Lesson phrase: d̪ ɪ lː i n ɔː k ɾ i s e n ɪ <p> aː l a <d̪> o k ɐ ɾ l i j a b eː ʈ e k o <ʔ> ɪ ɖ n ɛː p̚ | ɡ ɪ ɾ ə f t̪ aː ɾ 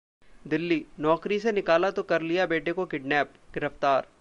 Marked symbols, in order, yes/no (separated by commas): no, no, no